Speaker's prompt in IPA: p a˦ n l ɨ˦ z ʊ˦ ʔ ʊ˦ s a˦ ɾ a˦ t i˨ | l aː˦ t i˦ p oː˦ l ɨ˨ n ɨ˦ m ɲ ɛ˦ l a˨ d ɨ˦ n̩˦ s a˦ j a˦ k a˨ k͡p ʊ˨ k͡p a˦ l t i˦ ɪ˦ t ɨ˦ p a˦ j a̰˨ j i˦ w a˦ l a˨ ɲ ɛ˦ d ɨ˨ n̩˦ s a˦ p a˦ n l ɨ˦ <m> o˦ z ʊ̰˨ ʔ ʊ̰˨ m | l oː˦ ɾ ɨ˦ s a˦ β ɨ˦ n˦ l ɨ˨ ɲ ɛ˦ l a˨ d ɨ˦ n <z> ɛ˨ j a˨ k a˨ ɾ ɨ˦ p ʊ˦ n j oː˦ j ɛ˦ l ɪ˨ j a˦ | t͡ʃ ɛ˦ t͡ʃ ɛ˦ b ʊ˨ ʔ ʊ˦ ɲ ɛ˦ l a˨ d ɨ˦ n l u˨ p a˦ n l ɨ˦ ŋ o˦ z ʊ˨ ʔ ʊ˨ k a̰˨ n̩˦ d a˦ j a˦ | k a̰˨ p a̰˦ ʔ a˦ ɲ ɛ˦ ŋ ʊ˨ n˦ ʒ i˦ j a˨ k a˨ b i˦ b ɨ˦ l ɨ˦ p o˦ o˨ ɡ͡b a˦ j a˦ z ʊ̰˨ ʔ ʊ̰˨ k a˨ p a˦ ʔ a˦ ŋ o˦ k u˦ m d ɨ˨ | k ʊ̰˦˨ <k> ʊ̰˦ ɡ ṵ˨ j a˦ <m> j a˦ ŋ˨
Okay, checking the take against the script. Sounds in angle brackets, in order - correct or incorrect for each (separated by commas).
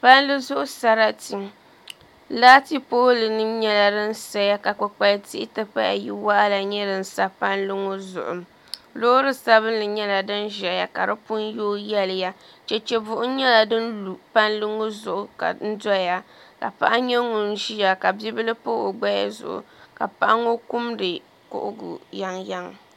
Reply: incorrect, incorrect, incorrect, incorrect